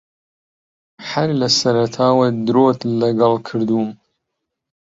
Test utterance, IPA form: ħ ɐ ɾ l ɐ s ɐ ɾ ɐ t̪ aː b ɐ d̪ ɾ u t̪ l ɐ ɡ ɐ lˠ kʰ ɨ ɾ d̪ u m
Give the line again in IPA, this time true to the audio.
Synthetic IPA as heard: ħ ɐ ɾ l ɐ s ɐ ɾ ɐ t̪ʰ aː w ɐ d̪ ɾ o t̪ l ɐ ɡ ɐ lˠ kʰ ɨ ɾ d̪ u m